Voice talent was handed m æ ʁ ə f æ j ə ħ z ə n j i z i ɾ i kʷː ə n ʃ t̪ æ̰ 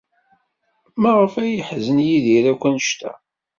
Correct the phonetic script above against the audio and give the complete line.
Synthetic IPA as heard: m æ ʁ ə f æ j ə ħ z ə n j i ð i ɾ æ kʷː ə n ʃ t̪ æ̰